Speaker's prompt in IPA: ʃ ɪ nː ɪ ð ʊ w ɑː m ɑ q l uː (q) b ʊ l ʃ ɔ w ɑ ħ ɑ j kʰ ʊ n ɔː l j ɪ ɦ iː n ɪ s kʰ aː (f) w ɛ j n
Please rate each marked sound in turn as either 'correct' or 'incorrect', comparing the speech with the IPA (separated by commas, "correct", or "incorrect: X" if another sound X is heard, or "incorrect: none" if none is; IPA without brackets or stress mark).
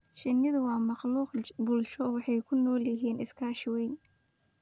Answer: correct, incorrect: ʃ